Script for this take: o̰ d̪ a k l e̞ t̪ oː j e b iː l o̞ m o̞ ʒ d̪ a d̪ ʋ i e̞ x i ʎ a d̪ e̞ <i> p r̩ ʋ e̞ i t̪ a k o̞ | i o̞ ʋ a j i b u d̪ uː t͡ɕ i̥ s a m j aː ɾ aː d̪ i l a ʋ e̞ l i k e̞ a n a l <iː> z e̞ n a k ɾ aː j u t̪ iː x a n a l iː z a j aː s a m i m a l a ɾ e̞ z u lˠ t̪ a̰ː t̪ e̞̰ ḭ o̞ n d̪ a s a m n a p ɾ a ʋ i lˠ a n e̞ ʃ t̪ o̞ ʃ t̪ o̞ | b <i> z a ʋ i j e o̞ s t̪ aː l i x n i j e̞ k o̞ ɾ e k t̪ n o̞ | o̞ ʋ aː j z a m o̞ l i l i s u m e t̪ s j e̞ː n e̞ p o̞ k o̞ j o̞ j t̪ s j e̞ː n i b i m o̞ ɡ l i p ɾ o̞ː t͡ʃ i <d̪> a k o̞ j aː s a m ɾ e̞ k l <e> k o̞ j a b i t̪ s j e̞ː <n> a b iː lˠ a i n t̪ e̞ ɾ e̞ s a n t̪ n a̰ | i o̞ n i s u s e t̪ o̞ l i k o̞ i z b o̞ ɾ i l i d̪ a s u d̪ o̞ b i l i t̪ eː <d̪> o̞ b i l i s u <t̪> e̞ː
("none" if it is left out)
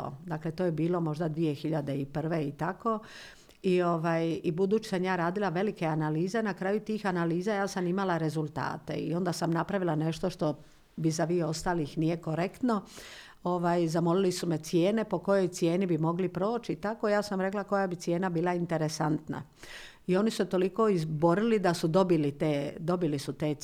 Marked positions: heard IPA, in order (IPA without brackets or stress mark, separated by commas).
i, iː, i, t̪, a, n, d̪, t̪